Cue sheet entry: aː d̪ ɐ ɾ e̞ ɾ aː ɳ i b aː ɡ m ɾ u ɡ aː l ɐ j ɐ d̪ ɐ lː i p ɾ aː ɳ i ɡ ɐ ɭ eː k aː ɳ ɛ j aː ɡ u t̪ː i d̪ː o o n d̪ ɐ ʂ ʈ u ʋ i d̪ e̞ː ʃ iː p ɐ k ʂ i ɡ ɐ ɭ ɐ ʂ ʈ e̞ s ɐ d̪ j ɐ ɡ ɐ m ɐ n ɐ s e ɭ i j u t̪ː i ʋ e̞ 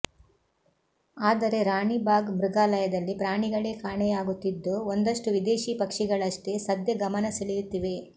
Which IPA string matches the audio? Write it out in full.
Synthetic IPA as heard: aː d̪ ɐ ɾ e̞ ɾ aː ɳ i b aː ɡ m ɾ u ɡ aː l ɐ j ɐ d̪ ɐ lː i p ɾ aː ɳ i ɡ ɐ ɭ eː k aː ɳ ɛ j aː ɡ u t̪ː i d̪ː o o n d̪ ɐ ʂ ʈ u ʋ i d̪ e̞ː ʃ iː p ɐ k ʂ i ɡ ɐ ɭ ɐ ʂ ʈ e̞ s ɐ d̪ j ɐ ɡ ɐ m ɐ n ɐ s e ɭ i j u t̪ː i ʋ e̞